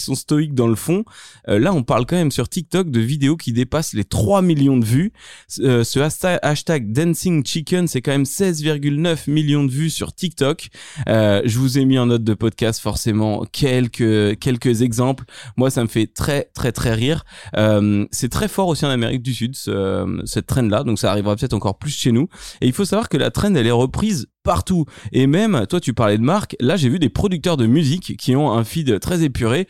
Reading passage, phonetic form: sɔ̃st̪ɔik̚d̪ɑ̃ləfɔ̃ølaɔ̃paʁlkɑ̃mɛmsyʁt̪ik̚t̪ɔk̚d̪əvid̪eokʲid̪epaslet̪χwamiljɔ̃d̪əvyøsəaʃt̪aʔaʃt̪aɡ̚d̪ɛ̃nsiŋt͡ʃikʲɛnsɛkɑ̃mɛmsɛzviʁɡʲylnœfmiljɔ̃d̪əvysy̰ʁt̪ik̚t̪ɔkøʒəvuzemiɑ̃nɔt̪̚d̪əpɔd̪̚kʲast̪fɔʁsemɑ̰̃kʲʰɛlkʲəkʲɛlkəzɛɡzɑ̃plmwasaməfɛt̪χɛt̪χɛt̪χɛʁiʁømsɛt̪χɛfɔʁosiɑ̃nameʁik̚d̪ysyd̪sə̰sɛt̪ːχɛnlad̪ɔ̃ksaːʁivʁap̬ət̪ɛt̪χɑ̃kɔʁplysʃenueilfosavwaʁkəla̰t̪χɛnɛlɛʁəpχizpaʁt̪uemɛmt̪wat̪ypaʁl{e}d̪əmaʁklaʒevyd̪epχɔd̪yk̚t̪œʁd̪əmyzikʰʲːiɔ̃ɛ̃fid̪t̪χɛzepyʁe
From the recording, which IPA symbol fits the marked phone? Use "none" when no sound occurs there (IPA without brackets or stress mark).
ɛ